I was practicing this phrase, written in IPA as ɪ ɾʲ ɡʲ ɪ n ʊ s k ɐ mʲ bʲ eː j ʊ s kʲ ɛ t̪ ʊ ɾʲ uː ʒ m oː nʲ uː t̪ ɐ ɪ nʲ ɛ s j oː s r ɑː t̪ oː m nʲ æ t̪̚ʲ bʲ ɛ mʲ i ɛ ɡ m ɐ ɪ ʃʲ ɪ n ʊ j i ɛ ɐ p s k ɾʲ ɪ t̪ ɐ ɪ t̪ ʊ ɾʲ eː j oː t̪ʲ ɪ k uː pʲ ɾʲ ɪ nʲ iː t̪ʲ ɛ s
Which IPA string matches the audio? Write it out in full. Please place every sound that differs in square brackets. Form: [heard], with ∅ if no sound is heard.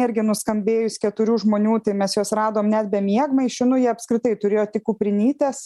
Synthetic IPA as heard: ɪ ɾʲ ɡʲ ɪ n ʊ s k ɐ mʲ bʲ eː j ʊ s kʲ ɛ t̪ ʊ ɾʲ uː ʒ m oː nʲ uː t̪ ɐ ɪ [mʲ] ɛ s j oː s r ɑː [d̪] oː m nʲ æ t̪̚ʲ bʲ ɛ mʲ i ɛ ɡ m ɐ ɪ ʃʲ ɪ n ʊ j i ɛ ɐ p s k ɾʲ ɪ t̪ ɐ ɪ t̪ ʊ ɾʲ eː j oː t̪ʲ ɪ k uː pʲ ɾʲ ɪ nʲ iː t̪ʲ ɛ s